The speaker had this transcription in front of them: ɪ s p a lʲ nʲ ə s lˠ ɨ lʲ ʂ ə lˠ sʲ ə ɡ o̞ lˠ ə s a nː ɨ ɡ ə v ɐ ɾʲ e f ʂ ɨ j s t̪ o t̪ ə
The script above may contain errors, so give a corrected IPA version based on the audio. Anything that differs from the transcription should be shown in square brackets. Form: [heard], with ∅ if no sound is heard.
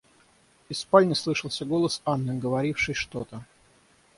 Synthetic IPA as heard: ɪ s p a lʲ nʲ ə s lˠ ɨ [∅] ʂ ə lˠ sʲ ə ɡ o̞ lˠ ə s a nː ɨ ɡ ə v ɐ ɾʲ [i] f ʂ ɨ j [ʂ] t̪ o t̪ ə